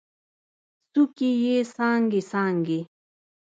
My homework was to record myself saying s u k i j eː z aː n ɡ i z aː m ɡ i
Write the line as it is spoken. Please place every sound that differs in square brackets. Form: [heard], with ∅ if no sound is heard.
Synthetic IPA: s u k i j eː [s] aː [ŋ] ɡ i [s] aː [ŋ] ɡ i